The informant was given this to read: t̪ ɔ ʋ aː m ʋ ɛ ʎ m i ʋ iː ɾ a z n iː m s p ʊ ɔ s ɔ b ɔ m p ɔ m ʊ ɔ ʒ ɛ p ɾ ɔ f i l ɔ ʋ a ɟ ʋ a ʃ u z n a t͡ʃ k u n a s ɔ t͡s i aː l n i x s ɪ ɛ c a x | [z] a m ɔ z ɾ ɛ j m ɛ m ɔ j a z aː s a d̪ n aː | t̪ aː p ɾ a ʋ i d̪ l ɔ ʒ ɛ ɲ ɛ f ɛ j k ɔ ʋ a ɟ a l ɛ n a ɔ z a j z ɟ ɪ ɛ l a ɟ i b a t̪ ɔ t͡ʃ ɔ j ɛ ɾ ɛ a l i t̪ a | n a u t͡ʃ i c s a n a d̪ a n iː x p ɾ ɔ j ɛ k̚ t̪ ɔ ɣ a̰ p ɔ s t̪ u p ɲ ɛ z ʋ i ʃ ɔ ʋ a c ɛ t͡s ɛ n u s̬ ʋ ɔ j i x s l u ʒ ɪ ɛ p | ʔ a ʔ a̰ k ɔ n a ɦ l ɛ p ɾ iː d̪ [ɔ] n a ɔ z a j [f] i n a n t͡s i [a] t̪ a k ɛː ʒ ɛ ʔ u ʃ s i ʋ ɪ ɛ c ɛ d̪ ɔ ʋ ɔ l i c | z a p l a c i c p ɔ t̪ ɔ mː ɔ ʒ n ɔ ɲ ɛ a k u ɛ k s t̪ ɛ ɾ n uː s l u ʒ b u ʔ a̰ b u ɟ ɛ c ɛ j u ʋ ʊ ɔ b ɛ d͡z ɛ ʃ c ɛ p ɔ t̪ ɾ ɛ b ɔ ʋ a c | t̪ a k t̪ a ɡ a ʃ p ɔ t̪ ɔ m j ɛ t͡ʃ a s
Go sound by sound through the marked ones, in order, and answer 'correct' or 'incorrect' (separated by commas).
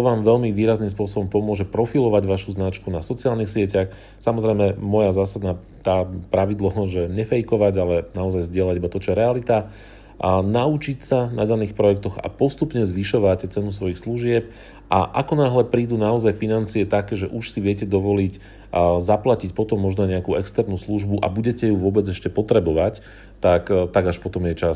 incorrect, incorrect, correct, incorrect